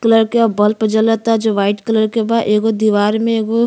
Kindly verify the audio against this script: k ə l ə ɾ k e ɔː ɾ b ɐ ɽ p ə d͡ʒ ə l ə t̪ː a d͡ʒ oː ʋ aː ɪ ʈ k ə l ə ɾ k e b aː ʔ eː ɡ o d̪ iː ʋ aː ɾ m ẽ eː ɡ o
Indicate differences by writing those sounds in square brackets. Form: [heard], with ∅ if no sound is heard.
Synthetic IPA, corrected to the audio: k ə l ə ɾ k e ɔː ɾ b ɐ [l] p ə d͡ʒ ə l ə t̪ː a d͡ʒ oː ʋ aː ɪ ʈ k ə l ə ɾ k e b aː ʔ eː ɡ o d̪ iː ʋ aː ɾ m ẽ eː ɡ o